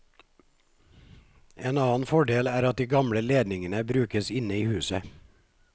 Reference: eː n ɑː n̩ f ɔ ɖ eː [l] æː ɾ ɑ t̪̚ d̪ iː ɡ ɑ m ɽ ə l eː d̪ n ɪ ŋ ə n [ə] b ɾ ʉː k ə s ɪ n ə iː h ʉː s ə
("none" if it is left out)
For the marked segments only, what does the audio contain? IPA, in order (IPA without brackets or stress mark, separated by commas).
l, ə